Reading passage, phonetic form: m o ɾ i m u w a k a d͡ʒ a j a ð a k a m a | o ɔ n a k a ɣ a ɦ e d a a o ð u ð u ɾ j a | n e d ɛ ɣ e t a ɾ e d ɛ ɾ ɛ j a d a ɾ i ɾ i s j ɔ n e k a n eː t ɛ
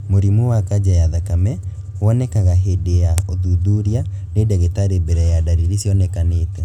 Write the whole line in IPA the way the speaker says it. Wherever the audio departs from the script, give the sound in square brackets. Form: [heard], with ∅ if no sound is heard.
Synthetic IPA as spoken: m o ɾ i m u w a k a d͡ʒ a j a ð a k a m [ɛ] | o ɔ n [ɛ] k a ɣ a ɦ e d [e] a o ð u ð u ɾ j a | n e d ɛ ɣ e t a ɾ e [b] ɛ ɾ ɛ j a d a ɾ i ɾ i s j ɔ n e k a n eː t ɛ